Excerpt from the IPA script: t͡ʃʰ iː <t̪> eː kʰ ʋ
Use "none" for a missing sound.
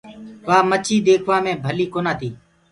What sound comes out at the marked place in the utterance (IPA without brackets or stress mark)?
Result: d̪